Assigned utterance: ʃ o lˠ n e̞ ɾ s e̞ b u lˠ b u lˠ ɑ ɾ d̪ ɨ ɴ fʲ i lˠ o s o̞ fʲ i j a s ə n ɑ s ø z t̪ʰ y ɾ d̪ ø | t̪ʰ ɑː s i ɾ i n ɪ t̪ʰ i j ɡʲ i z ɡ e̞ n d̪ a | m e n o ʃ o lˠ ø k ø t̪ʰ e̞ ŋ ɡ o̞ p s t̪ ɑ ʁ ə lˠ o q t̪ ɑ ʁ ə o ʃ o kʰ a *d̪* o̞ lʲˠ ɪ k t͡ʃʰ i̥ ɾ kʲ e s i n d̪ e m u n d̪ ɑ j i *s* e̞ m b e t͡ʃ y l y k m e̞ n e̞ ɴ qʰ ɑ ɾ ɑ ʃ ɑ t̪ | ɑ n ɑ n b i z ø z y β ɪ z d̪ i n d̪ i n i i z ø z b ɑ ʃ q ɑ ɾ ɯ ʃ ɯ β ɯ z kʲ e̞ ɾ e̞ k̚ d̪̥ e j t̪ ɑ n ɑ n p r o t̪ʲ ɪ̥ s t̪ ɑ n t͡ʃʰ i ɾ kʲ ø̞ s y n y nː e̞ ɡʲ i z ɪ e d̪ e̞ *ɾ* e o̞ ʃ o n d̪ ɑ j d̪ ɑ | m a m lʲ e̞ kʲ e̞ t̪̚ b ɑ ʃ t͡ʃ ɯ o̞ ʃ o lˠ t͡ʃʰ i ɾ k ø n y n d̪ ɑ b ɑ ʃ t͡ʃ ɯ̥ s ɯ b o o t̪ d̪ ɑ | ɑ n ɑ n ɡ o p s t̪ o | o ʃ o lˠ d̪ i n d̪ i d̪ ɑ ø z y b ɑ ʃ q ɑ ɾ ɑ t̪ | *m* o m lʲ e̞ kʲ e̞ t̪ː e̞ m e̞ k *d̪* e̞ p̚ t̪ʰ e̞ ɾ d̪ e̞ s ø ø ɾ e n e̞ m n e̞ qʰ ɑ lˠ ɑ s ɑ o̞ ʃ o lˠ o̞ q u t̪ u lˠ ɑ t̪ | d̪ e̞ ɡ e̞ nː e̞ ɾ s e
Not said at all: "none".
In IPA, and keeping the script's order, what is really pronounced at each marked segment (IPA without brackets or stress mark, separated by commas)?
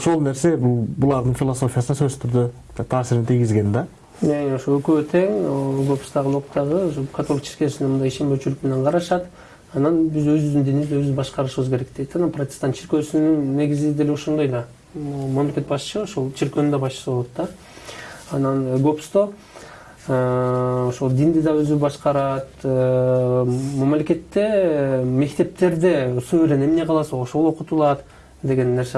t̪, ʃ, l, m, t̪